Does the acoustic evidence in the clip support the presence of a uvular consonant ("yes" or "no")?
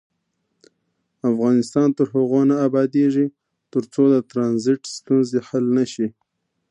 no